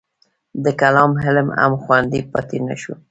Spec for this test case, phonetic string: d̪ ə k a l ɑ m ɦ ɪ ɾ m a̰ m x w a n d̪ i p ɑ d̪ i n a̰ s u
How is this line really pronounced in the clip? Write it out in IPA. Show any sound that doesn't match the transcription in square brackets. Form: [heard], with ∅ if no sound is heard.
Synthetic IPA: d̪ ə k a l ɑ m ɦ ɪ [l] m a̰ m x w a n d̪ i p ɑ [t̪] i n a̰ [ʃ] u